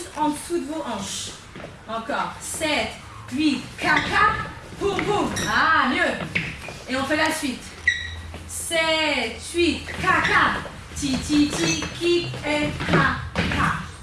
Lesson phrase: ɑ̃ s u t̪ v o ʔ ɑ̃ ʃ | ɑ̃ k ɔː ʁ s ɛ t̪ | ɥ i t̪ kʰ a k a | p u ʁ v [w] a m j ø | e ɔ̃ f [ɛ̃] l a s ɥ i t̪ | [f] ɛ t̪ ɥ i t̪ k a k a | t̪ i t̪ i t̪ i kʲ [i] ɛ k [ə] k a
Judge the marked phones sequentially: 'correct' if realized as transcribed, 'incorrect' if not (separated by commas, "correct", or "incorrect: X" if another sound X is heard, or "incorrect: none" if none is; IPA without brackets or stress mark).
incorrect: u, incorrect: ɛ, incorrect: s, correct, incorrect: a